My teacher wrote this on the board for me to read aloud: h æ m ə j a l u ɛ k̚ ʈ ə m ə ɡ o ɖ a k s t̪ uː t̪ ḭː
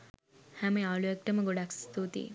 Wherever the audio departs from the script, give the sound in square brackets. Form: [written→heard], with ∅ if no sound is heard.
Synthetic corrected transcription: h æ m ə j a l u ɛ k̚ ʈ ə m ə ɡ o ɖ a k s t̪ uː t̪ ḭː

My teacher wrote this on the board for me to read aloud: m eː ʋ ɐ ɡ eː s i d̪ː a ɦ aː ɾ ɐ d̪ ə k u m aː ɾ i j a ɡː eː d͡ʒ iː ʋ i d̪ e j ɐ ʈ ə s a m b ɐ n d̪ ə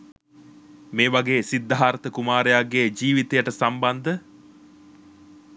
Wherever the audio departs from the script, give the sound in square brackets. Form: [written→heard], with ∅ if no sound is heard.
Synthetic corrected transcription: m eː ʋ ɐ ɡ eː s i d̪ː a ɦ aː ɾ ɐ [d̪→t̪] ə k u m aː ɾ [i→e] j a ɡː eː d͡ʒ iː ʋ i [d̪→t̪] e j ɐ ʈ ə s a m b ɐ n d̪ ə

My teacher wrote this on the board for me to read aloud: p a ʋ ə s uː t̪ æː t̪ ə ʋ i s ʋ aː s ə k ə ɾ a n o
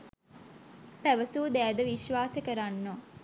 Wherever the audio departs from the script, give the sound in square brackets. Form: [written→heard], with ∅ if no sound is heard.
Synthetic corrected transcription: p [a→æ] ʋ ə s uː [t̪→d̪] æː [t̪→d̪] ə ʋ i [s→ʃ] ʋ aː s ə k ə ɾ a [n→nː] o

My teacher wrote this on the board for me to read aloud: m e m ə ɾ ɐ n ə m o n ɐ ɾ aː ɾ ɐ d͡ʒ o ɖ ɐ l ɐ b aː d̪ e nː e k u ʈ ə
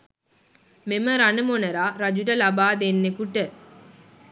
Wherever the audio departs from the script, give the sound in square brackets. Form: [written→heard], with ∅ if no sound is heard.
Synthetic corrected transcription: m e m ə ɾ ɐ n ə m o n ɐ ɾ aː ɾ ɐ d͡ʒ [o→u] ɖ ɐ l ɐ b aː d̪ e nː e k u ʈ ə

